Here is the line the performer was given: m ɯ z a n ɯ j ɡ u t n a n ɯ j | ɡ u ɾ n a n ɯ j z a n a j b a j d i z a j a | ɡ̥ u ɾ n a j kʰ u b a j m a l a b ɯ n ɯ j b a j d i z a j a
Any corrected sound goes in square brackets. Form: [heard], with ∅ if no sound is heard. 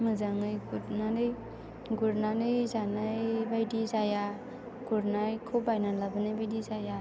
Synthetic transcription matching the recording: m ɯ z a [ŋ] ɯ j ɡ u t n a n ɯ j | ɡ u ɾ n a n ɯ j z a n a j b a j d i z a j a | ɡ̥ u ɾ n a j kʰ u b a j [n] a l a b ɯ n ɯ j b a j d i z a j a

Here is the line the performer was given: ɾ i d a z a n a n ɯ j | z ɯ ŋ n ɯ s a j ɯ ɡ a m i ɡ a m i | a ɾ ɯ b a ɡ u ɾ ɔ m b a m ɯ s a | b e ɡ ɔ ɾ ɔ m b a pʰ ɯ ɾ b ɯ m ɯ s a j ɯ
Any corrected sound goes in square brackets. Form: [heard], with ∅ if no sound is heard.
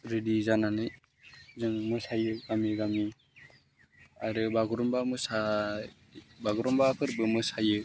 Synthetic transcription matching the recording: ɾ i d [i] z a n a n ɯ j | z ɯ ŋ [m] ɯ s a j ɯ ɡ a m i ɡ a m i | a ɾ ɯ b a ɡ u ɾ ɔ m b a m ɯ s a | b [a] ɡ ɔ ɾ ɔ m b a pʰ ɯ ɾ b ɯ m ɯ s a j ɯ

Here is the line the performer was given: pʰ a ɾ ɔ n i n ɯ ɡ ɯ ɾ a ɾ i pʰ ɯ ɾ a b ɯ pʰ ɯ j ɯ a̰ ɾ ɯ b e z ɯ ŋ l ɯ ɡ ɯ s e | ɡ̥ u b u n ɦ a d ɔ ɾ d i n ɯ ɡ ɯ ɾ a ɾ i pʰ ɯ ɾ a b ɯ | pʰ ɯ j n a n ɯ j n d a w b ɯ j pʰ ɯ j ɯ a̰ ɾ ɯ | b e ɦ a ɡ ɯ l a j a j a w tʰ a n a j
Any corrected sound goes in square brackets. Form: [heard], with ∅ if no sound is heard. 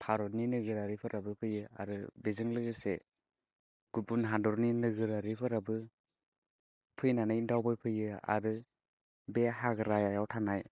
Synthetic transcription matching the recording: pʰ a ɾ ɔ n i n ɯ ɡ ɯ ɾ a ɾ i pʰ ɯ ɾ a b ɯ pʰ ɯ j ɯ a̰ ɾ ɯ b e z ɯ ŋ l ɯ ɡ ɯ s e | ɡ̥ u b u n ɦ a d ɔ ɾ [n] i n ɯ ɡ ɯ ɾ a ɾ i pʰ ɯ ɾ a b ɯ | pʰ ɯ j n a n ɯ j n d a w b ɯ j pʰ ɯ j ɯ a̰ ɾ ɯ | b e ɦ a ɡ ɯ [ɾ] a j a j a w tʰ a n a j

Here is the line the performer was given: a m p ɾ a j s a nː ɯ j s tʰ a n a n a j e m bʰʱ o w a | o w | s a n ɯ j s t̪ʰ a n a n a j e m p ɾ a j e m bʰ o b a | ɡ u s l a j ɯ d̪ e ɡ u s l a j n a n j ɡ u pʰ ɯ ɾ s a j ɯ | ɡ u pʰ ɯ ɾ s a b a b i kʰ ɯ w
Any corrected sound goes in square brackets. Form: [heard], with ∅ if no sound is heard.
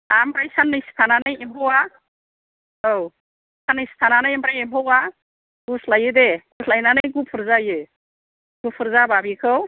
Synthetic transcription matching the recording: a m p ɾ a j s a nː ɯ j s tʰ a n a n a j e m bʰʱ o w a | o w | s a n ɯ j s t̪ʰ a n a n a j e m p ɾ a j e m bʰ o [w] a | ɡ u s l a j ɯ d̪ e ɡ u s l a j n a n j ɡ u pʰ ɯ ɾ [z] a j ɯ | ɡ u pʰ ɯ ɾ [z] a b a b i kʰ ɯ w

